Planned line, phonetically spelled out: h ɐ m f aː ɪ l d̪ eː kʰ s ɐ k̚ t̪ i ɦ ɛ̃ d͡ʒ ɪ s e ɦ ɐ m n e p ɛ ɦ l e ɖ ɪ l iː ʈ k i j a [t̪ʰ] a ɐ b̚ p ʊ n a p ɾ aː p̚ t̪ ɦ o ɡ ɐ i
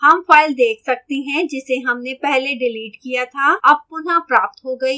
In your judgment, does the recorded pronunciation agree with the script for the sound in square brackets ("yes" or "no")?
yes